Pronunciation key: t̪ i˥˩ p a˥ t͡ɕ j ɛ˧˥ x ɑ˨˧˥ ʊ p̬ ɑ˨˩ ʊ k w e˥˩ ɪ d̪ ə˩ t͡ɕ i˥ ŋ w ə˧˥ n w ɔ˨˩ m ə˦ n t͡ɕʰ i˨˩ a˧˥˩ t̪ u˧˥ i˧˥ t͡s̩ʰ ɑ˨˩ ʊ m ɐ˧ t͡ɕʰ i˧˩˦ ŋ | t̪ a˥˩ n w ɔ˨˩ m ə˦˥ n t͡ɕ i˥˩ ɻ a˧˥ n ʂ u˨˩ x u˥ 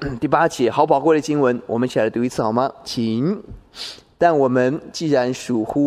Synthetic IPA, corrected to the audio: t̪ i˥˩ p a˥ t͡ɕ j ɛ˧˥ x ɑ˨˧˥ ʊ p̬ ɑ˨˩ ʊ k w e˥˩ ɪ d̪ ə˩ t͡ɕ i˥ ŋ w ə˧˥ n w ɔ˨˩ m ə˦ n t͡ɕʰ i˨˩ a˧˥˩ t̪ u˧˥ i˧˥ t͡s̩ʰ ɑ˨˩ ʊ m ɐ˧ t͡ɕʰ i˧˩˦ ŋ | t̪ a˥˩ n w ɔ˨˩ m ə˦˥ n t͡ɕ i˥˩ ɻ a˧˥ n ʂ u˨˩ x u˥